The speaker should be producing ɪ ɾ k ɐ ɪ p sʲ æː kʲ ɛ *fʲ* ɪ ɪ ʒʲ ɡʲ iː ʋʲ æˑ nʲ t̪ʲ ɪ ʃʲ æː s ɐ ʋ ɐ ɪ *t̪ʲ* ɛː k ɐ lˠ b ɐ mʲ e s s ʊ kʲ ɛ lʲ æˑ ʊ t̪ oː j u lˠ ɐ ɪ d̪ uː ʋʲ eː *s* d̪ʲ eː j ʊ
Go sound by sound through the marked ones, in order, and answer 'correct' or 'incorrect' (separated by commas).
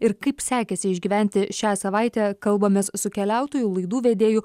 incorrect, correct, incorrect